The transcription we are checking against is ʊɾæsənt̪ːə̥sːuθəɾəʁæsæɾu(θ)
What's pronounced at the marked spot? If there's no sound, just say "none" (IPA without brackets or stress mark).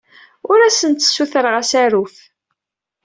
f